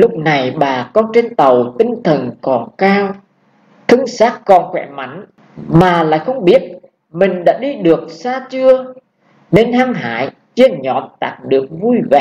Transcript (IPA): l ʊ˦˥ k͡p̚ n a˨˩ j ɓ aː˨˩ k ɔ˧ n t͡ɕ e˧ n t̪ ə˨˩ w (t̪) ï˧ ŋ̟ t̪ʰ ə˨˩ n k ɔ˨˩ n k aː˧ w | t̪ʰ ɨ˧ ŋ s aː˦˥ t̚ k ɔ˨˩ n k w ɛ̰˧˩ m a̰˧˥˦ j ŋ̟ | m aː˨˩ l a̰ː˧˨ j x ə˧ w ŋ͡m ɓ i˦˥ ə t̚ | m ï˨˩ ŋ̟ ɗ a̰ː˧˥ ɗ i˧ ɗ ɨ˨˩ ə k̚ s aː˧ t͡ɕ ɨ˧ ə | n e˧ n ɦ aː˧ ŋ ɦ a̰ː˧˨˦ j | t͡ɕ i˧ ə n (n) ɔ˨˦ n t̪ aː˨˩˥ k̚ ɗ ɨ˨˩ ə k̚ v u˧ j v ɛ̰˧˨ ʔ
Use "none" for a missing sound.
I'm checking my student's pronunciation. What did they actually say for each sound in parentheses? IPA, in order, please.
t̪, ɲ

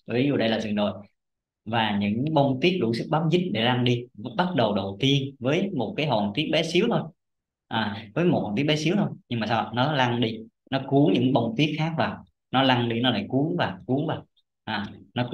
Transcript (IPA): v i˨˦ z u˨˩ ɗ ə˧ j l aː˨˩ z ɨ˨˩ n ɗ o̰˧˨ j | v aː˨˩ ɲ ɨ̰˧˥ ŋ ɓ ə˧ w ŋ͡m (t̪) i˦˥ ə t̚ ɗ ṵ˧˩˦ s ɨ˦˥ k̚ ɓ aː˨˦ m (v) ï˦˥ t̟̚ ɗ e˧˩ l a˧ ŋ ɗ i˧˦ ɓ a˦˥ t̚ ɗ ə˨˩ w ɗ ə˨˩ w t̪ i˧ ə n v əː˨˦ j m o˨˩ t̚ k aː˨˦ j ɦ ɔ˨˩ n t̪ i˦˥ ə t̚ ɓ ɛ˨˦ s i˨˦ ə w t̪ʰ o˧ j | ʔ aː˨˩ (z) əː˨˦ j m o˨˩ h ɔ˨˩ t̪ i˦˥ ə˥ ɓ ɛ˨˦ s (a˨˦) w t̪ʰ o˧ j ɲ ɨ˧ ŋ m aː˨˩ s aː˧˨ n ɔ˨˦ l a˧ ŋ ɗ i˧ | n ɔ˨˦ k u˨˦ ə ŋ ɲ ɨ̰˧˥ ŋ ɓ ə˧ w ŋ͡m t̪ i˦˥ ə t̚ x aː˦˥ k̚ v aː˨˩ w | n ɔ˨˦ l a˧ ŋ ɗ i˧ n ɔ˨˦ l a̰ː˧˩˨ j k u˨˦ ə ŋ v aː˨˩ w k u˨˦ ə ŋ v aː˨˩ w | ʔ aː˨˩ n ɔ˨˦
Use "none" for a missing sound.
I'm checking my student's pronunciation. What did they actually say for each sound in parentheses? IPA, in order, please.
t̪, z, v, i˨˦

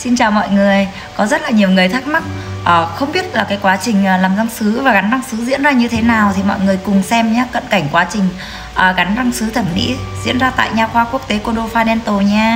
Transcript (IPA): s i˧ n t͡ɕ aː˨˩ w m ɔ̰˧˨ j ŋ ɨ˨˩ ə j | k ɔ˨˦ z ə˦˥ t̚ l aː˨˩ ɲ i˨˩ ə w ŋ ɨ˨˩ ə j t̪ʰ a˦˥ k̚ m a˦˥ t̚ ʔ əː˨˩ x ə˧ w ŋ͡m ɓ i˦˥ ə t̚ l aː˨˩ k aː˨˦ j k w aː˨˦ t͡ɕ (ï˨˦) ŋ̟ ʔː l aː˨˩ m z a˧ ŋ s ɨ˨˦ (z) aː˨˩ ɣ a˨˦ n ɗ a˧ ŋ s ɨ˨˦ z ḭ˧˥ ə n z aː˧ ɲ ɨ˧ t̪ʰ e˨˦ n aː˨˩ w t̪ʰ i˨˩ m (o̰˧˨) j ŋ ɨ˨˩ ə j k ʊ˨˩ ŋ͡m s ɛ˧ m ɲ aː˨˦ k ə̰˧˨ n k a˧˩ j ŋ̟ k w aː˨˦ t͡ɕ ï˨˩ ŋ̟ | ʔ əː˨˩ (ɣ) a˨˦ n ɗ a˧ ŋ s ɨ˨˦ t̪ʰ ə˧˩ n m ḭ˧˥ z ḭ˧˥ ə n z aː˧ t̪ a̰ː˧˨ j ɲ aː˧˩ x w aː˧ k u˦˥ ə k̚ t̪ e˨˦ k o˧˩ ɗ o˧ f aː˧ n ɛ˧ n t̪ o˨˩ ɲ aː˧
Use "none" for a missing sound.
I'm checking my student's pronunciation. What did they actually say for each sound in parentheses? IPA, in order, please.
ï˨˩, v, ɔ̰˧˨, ɣ

